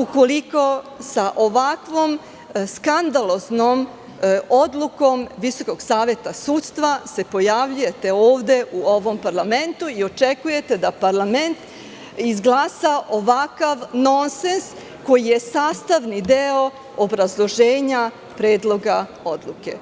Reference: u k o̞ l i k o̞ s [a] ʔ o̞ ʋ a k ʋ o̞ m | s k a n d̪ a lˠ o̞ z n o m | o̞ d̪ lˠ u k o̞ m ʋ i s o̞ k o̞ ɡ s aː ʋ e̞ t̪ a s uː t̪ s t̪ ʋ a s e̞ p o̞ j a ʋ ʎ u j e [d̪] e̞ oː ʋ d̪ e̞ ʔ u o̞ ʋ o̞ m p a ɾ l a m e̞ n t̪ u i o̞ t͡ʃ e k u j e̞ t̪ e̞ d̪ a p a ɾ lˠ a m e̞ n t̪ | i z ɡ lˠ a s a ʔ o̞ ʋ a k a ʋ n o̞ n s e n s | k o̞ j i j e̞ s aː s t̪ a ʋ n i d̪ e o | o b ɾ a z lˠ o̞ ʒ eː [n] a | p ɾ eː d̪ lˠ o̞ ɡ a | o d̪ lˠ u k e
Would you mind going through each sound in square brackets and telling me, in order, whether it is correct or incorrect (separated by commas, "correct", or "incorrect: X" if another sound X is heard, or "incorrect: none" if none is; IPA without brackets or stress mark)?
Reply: correct, incorrect: t̪, incorrect: ɲ